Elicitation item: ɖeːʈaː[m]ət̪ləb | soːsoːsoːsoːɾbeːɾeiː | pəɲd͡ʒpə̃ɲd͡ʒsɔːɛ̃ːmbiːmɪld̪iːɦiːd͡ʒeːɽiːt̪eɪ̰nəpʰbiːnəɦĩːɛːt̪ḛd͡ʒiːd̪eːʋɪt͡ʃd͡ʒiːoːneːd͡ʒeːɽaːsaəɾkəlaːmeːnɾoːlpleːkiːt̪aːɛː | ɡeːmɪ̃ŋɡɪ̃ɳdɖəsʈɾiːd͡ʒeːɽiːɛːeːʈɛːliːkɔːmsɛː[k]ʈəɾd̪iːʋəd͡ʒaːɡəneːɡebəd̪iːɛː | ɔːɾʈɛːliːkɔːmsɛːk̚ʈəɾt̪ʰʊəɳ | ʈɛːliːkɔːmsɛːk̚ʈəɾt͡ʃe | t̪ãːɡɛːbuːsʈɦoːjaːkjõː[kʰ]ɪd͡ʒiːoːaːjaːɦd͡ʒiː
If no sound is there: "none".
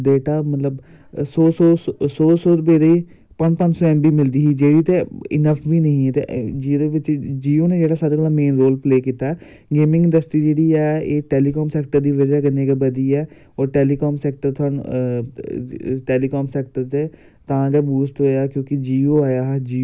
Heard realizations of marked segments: m, k, k

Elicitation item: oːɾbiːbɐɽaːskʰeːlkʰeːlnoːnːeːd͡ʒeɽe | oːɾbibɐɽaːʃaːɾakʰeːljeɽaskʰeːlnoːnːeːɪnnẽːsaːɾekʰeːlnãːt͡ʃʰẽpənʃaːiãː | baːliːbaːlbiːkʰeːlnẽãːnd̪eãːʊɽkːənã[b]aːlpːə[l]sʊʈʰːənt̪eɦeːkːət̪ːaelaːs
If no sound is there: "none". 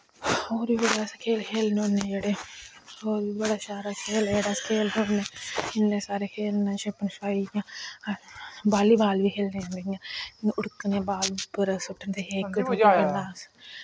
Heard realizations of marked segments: b, ɾ

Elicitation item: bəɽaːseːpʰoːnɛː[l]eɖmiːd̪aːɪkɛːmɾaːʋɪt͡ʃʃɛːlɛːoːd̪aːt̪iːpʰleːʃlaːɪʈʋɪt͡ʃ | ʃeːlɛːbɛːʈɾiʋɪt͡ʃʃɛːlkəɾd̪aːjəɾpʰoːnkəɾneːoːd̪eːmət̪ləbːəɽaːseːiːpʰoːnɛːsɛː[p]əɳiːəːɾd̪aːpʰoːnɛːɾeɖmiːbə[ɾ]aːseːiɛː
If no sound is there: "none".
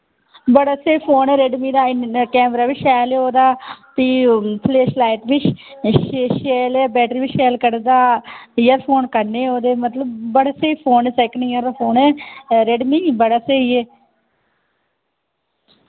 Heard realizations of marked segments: ɾ, k, ɽ

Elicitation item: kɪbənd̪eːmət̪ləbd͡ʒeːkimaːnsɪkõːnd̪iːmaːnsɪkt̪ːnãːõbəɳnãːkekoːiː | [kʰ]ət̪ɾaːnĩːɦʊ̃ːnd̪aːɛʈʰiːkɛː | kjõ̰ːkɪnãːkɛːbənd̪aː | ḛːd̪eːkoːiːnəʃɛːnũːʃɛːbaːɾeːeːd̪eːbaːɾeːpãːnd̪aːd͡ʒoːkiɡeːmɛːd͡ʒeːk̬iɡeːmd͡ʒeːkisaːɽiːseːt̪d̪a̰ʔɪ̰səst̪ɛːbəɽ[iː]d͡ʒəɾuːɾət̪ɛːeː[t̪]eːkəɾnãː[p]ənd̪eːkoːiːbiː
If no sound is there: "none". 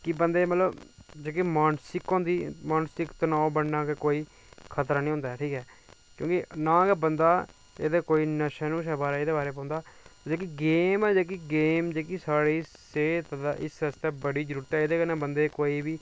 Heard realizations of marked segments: kʰ, iː, d̪, b

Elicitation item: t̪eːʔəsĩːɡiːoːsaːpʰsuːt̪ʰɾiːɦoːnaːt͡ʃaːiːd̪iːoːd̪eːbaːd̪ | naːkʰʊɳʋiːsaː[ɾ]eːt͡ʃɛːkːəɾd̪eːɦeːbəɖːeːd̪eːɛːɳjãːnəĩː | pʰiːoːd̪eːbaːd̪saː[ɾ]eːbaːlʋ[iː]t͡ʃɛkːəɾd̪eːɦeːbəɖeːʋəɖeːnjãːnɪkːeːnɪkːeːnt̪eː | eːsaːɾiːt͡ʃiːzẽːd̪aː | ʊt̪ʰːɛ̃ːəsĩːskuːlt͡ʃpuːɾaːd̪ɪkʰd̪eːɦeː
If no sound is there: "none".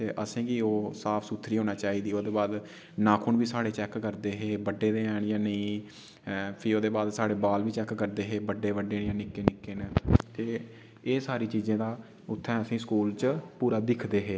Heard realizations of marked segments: ɽ, ɽ, iː

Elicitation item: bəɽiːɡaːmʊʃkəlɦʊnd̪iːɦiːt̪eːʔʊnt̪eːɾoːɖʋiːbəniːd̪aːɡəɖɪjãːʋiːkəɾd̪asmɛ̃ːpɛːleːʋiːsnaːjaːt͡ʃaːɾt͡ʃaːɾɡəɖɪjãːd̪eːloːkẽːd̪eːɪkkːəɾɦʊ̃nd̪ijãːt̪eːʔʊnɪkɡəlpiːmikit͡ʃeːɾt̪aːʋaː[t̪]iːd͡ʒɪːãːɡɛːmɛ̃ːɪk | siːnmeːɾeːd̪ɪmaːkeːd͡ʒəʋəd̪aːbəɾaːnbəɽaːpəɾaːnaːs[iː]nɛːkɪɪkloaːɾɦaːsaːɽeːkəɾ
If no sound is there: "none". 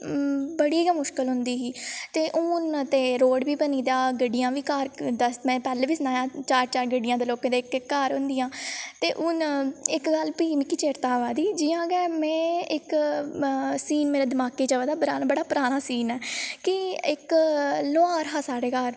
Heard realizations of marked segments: d̪, iː

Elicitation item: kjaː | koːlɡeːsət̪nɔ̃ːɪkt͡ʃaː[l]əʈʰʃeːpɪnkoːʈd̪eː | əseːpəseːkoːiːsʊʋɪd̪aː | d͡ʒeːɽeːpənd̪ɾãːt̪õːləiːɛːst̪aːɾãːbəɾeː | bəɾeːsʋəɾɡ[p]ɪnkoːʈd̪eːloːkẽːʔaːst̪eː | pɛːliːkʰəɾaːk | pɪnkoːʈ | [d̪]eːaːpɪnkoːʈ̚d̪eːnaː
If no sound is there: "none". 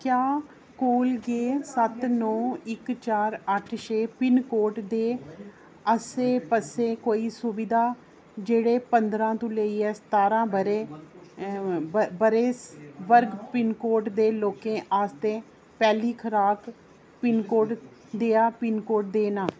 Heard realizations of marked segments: ɾ, p, d̪

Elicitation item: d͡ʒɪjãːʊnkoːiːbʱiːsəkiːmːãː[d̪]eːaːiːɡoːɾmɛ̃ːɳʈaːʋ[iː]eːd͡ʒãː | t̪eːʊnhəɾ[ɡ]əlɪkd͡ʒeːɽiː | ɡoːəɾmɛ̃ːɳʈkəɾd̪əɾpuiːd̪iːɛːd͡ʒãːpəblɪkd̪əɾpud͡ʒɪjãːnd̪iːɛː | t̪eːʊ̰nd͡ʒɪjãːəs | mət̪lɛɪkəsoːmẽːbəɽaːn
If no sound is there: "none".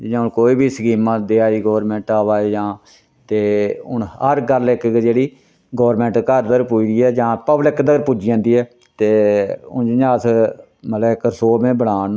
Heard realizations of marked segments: d̪, aː, ɡ

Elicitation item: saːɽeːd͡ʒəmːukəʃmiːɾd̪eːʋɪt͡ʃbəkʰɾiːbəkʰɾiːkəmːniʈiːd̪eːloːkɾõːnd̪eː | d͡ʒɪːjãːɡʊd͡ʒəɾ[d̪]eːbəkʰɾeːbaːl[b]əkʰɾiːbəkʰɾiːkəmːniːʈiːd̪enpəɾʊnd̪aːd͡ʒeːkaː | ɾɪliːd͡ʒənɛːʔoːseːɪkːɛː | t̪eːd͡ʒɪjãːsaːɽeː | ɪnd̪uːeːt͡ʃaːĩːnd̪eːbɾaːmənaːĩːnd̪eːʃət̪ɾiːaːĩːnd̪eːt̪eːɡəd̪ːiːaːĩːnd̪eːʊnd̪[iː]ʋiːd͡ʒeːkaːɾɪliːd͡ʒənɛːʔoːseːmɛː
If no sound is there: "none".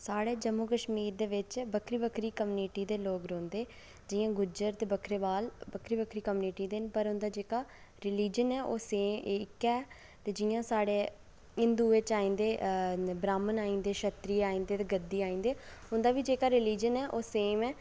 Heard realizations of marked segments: t̪, b, aː

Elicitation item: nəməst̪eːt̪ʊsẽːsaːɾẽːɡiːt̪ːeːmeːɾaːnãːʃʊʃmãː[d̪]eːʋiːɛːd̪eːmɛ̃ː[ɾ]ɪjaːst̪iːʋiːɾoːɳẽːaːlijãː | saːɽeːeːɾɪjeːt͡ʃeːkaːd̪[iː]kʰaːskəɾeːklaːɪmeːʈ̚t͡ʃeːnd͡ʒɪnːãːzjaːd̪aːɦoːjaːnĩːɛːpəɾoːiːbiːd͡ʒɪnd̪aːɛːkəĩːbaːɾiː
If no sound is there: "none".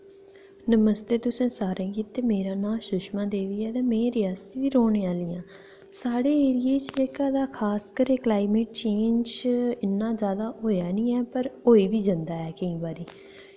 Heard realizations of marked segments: d̪, ɾ, aː

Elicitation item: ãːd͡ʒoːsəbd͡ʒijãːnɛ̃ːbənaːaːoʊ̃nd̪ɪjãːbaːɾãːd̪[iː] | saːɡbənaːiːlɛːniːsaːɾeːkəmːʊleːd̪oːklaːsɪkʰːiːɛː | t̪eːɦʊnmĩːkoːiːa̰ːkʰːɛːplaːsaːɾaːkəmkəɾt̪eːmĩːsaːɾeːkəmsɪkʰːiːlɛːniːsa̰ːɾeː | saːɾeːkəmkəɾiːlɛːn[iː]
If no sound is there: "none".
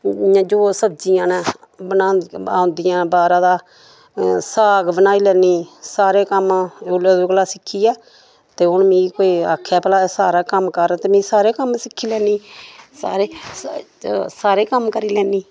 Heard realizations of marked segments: aː, iː

